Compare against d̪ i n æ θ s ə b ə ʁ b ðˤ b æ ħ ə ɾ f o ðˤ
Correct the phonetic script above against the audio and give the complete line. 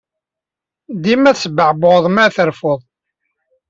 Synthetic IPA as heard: d̪ i m æ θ s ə b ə ʕ b ðˤ m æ θ ə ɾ f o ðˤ

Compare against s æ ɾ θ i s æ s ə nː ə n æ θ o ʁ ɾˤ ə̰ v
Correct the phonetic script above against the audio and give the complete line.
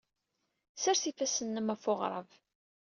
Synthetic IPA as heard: s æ ɾ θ i f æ s ə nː ə m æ f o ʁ ɾˤ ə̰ v

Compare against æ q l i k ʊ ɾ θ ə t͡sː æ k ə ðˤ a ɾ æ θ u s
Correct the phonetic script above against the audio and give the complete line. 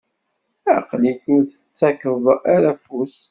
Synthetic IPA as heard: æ q l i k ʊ ɾ θ ə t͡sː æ k ə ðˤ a ɾ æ f u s

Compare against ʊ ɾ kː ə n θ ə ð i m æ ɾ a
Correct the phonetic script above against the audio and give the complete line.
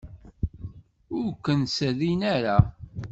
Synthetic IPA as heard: ʊ ɾ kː ə n s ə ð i n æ ɾ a

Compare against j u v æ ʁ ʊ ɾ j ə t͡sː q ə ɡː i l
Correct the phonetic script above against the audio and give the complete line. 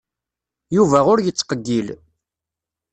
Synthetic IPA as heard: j u v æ ʁ ʊ ɾ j ə t͡sː q ə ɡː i l

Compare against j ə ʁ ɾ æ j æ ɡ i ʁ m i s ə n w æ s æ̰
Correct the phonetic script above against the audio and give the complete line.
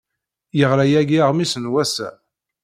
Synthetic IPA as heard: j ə ʁ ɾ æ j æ ɡ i ʁ m i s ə n w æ s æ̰

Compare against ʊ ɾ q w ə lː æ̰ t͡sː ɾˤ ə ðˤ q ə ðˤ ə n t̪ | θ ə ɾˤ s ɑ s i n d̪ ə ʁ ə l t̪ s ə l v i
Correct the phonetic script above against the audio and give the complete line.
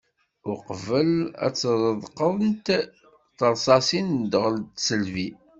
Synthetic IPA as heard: ʊ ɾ q v ə l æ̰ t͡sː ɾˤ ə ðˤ q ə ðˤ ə n t̪ | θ ə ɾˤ s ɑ s i n d̪ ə ʁ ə l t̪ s ə l v i

